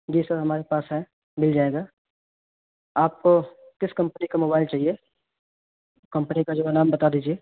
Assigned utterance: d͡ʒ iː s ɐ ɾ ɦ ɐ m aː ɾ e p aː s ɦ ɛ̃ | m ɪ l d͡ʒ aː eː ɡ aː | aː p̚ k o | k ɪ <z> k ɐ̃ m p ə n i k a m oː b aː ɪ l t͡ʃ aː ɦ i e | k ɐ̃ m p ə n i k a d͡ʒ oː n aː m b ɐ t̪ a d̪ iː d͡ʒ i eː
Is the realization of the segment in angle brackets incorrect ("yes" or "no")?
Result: yes